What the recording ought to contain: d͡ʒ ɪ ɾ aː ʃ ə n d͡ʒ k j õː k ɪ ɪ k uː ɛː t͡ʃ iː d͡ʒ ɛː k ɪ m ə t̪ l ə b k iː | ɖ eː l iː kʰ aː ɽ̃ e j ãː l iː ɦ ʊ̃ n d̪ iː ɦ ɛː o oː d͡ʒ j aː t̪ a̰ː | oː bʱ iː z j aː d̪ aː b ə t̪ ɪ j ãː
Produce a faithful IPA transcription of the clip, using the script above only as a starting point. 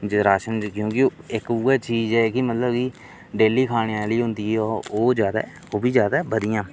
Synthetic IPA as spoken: d͡ʒ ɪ ɾ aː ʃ ə n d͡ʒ k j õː k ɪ ɪ k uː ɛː t͡ʃ iː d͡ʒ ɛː k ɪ m ə t̪ l ə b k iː | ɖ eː l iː kʰ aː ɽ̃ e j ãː l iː ɦ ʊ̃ n d̪ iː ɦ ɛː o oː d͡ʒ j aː d̪ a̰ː | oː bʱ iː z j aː d̪ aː b ə d̪ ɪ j ãː